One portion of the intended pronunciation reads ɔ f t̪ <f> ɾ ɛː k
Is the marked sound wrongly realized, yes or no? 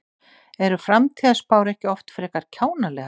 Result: no